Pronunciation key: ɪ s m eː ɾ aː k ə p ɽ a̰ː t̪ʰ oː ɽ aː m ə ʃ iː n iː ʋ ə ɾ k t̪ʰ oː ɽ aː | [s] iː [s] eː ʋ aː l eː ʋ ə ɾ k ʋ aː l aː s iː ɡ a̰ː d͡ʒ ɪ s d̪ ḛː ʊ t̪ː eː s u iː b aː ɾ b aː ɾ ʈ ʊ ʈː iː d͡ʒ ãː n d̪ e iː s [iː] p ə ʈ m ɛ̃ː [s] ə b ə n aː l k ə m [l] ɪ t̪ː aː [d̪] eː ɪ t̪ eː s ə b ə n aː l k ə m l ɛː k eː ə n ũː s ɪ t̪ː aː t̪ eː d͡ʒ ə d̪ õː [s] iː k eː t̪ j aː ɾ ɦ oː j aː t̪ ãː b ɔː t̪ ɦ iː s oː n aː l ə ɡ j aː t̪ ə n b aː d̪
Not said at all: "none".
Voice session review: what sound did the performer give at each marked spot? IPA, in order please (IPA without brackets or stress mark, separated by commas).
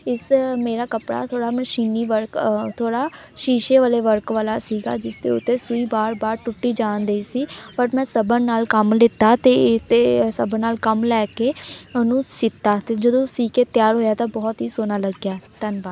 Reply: ʃ, ʃ, iː, s, l, t̪, s